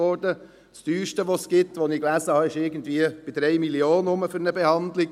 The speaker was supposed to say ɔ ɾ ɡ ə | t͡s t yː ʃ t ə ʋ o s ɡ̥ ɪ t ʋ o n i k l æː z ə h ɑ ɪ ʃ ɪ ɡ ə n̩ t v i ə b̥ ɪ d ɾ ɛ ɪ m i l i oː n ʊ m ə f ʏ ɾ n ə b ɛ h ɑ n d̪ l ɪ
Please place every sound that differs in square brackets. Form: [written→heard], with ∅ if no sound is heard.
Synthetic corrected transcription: ɔ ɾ [ɡ→d] ə | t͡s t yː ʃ t ə ʋ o s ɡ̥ ɪ t ʋ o n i k l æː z ə h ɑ ɪ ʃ ɪ ɡ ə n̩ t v i ə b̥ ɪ d ɾ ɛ ɪ m i l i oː n ʊ m ə f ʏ ɾ n ə b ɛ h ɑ n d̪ l ɪ